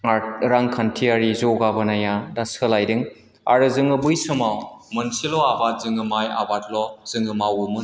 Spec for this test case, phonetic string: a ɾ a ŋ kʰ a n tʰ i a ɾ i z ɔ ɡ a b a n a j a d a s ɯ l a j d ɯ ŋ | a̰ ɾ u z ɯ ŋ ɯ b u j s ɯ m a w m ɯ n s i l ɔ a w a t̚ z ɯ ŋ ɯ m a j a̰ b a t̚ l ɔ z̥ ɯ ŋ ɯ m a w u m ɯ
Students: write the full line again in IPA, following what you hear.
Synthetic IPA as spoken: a ɾ a ŋ kʰ a n tʰ i a ɾ i z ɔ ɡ a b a n a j a d a s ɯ l a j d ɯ ŋ | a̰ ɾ ɯ z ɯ ŋ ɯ b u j s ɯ m a w m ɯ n s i l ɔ a b a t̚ z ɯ ŋ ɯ m a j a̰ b a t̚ l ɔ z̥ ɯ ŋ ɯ m a w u m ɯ